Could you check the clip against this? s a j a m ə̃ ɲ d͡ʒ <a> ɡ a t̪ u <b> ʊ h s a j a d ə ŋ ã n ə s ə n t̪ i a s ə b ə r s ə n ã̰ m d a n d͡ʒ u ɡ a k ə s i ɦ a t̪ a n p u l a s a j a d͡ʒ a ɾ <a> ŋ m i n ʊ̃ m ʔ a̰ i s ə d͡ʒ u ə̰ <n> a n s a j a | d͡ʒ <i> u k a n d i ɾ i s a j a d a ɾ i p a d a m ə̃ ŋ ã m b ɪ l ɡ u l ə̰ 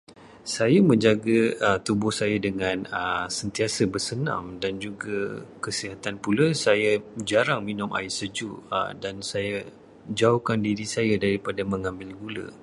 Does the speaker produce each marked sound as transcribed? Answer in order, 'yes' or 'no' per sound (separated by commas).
yes, yes, yes, no, no